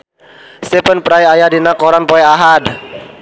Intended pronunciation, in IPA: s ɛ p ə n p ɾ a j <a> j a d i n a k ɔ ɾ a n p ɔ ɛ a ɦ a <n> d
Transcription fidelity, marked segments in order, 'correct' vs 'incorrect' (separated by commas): correct, incorrect